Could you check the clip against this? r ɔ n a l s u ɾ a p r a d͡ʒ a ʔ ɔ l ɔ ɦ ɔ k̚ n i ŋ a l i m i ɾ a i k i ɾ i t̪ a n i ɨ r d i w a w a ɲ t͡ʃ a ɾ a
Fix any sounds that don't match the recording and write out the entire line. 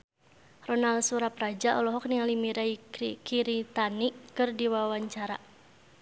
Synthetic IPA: r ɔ n a l s u ɾ a p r a d͡ʒ a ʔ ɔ l ɔ ɦ ɔ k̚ n i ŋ a l i m i ɾ a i k i ɾ i t̪ a n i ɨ r d i w a w a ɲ t͡ʃ a ɾ a